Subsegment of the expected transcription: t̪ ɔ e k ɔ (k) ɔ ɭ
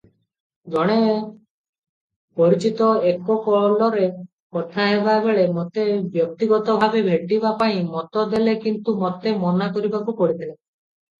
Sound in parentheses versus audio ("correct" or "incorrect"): correct